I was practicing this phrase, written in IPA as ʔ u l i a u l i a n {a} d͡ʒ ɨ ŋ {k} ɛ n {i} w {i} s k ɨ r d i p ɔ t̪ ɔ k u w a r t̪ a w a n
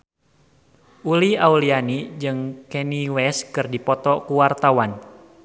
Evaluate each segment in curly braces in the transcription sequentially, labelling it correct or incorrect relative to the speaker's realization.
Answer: incorrect: i, correct, correct, incorrect: ɛ

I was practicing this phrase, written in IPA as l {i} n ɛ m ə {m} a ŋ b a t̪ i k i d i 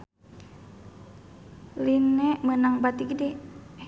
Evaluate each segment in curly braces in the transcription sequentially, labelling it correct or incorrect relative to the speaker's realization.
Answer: correct, incorrect: n

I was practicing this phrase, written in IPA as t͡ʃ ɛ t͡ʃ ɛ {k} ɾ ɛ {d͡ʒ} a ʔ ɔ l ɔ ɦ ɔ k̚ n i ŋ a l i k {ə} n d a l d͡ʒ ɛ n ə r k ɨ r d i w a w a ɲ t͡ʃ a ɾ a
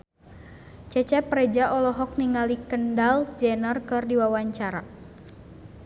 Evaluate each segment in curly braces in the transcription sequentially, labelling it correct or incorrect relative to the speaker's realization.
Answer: incorrect: p, correct, correct

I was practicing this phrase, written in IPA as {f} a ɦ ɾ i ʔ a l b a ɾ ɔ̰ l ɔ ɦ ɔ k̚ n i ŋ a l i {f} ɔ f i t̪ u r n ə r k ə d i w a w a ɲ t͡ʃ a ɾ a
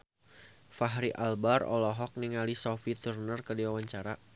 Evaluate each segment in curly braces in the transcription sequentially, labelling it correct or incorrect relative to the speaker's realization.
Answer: correct, incorrect: s

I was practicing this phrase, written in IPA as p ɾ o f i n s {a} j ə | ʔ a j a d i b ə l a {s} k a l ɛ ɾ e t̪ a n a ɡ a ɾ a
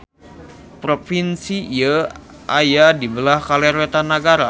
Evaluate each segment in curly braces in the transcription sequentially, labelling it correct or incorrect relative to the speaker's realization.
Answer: incorrect: i, incorrect: h

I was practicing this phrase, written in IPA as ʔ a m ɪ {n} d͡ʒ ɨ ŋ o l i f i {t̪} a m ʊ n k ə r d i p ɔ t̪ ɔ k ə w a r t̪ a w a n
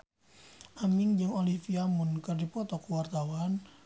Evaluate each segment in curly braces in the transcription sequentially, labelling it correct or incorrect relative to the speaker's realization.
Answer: incorrect: ŋ, incorrect: none

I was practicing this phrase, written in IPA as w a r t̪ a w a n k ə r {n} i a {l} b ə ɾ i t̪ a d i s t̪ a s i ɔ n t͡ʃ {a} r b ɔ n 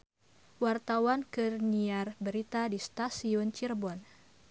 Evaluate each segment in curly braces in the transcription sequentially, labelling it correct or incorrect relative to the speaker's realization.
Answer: correct, incorrect: r, incorrect: i

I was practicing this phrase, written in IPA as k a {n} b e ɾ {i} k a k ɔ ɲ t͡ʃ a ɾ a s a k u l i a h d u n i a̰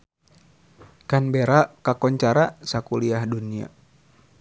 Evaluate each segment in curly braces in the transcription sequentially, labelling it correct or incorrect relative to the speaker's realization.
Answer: correct, incorrect: a

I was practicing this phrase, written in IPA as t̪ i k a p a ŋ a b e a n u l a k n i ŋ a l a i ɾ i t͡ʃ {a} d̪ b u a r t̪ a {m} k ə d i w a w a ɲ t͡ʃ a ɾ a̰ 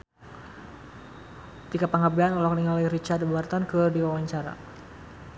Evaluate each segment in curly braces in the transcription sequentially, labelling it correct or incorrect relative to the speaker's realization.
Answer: correct, incorrect: n

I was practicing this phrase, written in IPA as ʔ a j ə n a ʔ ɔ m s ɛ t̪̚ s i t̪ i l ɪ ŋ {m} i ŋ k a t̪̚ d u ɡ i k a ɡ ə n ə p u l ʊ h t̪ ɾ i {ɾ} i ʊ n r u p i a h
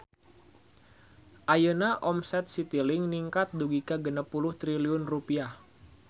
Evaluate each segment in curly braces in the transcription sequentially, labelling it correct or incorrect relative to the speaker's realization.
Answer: incorrect: n, incorrect: l

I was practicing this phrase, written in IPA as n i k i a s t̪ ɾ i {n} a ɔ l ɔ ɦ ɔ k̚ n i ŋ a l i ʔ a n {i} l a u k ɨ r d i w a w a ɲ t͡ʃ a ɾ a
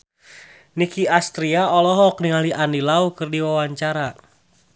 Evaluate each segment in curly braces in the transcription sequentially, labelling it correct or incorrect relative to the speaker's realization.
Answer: incorrect: none, correct

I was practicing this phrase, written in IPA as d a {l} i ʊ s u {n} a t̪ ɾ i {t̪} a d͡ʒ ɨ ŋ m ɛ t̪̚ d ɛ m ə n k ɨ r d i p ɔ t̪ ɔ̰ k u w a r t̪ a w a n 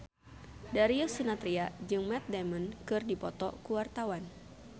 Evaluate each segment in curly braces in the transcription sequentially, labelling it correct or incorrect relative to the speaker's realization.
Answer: incorrect: ɾ, correct, incorrect: none

